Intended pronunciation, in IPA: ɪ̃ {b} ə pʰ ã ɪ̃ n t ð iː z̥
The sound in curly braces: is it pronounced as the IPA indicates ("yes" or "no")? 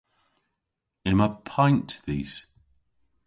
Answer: no